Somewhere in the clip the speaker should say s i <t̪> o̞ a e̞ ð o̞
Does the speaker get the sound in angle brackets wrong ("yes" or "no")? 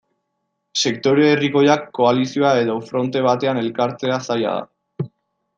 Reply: yes